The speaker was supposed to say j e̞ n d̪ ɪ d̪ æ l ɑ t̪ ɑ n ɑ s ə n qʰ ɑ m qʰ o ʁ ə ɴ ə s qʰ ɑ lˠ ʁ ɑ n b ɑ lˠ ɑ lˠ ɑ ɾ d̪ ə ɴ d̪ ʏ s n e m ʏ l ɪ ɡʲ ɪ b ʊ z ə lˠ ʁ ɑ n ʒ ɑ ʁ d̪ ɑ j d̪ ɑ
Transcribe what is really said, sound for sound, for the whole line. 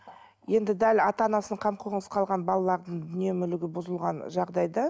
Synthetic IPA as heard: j e̞ n d̪ ɪ d̪ æ l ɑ t̪ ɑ n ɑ s ə ɴ qʰ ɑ m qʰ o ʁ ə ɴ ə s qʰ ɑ lˠ ʁ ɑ n b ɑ lˠ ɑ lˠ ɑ ɾ d̪ ə ɴ d̪ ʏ n e m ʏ l ɪ ɡʲ ɪ b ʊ z ə lˠ ʁ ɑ n ʒ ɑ ʁ d̪ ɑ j d̪ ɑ